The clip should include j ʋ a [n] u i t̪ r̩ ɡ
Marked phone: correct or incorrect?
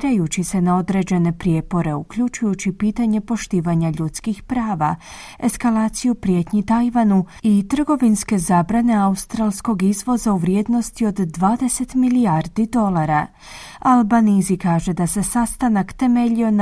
correct